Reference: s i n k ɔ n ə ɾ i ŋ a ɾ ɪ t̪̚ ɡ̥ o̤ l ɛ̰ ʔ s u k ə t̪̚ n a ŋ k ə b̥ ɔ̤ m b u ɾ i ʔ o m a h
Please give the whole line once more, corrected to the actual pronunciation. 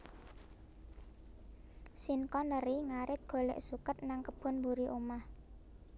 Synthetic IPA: s i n k ɔ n ə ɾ i ŋ a ɾ ɪ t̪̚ ɡ̥ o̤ l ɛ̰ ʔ s u k ə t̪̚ n a ŋ k ə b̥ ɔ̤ n b u ɾ i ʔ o m a h